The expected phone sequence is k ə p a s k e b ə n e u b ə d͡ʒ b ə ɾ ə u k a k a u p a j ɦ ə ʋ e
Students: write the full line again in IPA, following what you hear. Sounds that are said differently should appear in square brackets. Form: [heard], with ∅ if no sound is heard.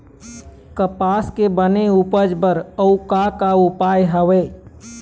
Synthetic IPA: k ə p a s k e b ə n e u [p] ə d͡ʒ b ə ɾ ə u k a k a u p a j ɦ ə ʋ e